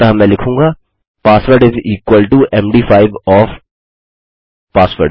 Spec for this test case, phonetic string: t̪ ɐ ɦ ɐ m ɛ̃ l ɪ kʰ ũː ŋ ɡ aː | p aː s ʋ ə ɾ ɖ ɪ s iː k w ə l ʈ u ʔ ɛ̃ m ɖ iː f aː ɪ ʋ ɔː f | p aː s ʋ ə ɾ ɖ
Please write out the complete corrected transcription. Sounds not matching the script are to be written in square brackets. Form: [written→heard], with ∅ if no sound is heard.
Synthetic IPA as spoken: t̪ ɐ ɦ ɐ m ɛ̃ l ɪ kʰ ũː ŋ ɡ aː | p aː s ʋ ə ɾ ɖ ɪ [s→z] iː k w ə l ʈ u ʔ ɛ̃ m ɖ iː f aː ɪ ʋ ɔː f | p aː s ʋ ə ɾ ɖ